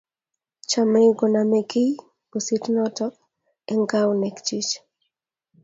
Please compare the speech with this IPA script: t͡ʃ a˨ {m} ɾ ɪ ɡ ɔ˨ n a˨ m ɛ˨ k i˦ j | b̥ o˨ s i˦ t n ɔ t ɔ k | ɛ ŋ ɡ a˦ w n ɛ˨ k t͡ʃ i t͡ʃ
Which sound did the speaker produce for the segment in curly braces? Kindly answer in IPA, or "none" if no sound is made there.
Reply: m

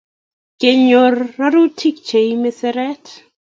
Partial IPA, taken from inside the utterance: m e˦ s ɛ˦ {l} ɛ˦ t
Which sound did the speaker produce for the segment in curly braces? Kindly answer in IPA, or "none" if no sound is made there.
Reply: ɾ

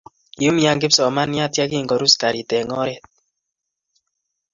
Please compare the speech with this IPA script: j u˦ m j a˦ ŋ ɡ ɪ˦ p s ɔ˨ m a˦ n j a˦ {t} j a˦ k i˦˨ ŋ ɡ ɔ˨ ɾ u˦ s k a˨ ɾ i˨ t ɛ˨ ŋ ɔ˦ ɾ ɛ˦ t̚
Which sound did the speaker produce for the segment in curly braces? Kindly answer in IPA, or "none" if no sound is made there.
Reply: t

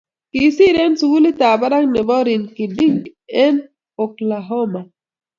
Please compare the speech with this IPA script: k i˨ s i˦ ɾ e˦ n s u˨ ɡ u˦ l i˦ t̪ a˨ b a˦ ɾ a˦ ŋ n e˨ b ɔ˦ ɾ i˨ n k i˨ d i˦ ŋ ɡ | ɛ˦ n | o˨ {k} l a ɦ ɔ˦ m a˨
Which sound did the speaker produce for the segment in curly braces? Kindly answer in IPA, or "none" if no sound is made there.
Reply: k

